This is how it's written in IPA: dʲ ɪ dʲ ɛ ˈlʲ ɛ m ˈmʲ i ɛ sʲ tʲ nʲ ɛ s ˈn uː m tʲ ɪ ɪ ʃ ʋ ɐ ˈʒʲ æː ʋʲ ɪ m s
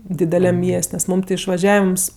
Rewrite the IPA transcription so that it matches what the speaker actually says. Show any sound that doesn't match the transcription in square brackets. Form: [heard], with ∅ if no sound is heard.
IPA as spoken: dʲ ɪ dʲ ɛ ˈlʲ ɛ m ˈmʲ i ɛ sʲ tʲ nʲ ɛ s [ˈm] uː m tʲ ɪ ɪ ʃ ʋ ɐ ˈʒʲ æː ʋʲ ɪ m s